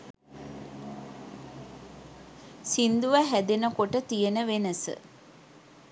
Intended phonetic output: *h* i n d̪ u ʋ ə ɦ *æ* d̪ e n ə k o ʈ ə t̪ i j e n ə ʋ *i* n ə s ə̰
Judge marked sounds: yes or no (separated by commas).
no, yes, no